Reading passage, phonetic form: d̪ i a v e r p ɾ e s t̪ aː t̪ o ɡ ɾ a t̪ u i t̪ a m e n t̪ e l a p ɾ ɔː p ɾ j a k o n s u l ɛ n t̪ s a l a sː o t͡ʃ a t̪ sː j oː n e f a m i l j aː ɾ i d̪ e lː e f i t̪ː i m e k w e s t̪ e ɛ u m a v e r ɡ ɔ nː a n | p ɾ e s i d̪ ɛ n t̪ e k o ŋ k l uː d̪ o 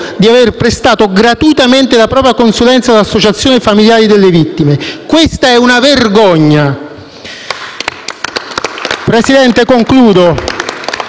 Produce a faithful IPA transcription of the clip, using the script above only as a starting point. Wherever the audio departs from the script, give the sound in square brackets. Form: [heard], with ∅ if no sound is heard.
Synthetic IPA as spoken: d̪ i a v e r p ɾ e s t̪ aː t̪ o ɡ ɾ a t̪ u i t̪ a m e n t̪ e l a p ɾ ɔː p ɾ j a k o n s u l ɛ n t̪ s a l a sː o t͡ʃ a t̪ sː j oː n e f a m i l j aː ɾ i d̪ e lː e [v] i t̪ː i m e k w e s t̪ [a] ɛ u [n] a v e r ɡ ɔ [ɲː] a [∅] | p ɾ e s i d̪ ɛ n t̪ e k o ŋ k l uː d̪ o